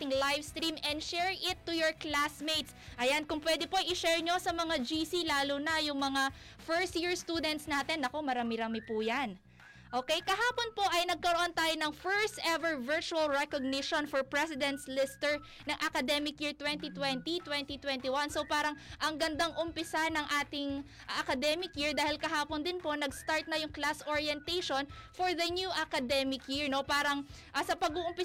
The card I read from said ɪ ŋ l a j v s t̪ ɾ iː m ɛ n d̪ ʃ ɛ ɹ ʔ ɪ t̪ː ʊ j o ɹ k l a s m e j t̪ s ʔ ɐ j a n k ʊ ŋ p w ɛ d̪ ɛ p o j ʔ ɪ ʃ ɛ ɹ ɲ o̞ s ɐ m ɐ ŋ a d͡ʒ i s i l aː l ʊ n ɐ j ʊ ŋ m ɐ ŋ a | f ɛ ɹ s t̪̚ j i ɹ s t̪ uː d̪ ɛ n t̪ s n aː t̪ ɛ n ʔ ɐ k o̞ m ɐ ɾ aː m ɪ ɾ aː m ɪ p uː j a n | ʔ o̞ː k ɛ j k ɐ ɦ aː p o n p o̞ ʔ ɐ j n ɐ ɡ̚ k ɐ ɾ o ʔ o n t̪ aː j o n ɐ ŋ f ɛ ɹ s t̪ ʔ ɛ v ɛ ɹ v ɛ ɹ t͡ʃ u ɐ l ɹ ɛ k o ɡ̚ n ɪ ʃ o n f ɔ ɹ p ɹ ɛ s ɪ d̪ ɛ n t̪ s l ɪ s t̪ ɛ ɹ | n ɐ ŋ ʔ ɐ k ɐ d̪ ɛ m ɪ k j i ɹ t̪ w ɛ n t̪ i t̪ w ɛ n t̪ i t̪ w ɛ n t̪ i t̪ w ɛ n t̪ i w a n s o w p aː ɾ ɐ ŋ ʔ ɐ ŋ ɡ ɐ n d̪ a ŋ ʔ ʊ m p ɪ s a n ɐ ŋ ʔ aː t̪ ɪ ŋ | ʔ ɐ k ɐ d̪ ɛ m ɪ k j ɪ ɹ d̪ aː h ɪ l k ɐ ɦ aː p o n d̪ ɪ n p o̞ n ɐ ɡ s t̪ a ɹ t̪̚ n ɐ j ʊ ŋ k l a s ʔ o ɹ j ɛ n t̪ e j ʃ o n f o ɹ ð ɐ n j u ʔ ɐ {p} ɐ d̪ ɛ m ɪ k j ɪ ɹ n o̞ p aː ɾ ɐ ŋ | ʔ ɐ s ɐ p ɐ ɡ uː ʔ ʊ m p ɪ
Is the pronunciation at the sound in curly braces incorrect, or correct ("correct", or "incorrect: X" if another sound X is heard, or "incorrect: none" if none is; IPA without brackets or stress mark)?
incorrect: k